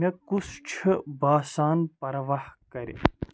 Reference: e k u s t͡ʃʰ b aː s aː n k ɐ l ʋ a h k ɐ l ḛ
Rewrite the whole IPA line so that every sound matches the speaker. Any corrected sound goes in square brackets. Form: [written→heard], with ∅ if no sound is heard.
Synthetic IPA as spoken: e k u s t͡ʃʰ b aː s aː n [k→p] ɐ [l→ɾ] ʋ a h k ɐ [l→ɾ] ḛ

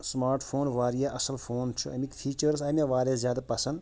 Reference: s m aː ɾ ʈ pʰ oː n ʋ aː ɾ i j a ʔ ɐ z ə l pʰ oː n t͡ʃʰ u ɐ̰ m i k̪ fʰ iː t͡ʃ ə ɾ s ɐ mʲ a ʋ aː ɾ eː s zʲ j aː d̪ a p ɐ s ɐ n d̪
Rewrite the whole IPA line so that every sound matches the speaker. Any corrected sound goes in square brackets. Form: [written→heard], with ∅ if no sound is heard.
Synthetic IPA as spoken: s m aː ɾ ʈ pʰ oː n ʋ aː ɾ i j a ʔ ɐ [z→s] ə l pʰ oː n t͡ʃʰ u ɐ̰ m i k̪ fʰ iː t͡ʃ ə ɾ s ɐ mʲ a ʋ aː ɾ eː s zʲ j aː d̪ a p ɐ s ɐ n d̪

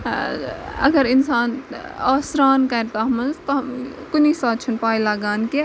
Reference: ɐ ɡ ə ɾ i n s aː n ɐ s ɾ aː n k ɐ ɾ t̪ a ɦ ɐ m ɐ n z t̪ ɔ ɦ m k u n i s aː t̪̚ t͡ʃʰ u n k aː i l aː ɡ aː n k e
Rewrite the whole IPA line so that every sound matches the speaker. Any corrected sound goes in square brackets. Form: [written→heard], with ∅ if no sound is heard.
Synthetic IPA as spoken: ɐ ɡ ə ɾ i n s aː n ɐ s ɾ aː n k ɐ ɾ t̪ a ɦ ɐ m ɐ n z t̪ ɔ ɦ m k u n i s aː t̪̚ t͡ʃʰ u n [k→p] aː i l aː ɡ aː n k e

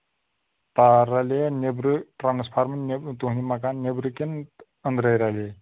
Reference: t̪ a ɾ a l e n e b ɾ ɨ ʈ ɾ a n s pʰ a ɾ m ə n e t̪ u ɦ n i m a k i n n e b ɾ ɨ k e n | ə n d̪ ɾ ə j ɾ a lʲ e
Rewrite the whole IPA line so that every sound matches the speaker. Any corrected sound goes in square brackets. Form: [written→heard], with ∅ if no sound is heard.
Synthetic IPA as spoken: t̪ a ɾ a l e n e b ɾ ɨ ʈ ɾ a n s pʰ a ɾ m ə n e t̪ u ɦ n i m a k [i→a] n n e b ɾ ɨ k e n | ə n d̪ ɾ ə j ɾ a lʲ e

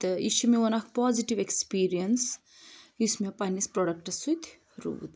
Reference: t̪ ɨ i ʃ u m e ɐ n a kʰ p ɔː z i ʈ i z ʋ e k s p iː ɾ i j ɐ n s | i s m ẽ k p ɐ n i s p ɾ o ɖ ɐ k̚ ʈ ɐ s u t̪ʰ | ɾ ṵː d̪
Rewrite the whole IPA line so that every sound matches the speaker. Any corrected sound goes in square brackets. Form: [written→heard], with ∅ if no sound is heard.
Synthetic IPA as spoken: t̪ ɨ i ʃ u m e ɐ n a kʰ p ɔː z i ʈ i [z→∅] ʋ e k s p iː ɾ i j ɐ n s | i s m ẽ [k→∅] p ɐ n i s p ɾ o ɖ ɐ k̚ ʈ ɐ s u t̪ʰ | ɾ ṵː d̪

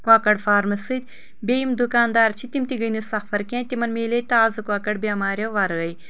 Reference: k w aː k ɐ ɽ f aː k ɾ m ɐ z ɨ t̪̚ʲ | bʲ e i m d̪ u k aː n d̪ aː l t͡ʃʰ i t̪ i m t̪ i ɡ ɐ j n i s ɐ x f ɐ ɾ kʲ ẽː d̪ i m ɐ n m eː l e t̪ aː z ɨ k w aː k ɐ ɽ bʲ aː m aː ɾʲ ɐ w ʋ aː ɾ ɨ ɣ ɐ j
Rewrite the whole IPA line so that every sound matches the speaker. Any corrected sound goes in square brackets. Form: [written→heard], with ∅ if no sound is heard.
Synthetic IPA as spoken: k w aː k ɐ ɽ f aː [k→∅] ɾ m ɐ [z→s] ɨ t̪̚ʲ | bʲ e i m d̪ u k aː n d̪ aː [l→ɾ] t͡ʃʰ i t̪ i m t̪ i ɡ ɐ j n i s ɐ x f ɐ ɾ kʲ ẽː [d̪→t̪] i m ɐ n m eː l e t̪ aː z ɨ k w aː k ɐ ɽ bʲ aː m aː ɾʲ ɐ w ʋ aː ɾ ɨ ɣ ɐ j

